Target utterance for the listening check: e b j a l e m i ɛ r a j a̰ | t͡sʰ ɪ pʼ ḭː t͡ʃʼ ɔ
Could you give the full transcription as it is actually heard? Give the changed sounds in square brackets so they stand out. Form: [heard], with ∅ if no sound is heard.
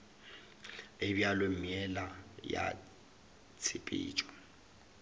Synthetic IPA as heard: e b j a l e m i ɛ [l] a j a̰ | t͡sʰ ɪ pʼ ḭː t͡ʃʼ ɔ